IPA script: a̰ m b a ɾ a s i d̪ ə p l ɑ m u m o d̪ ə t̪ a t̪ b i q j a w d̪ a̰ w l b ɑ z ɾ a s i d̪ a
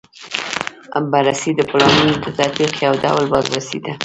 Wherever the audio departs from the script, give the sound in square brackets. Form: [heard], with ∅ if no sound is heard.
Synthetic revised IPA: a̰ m b a ɾ a s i d̪ ə p l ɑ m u [n] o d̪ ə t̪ a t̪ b i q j a w d̪ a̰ w l b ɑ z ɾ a s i d̪ a